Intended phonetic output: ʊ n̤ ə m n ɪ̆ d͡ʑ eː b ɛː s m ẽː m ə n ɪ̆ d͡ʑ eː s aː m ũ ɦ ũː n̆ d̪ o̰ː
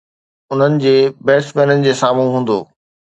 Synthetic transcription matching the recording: ʊ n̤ ə n ɪ̆ d͡ʑ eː b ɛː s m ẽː n ə n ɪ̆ d͡ʑ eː s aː m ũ ɦ ũː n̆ d̪ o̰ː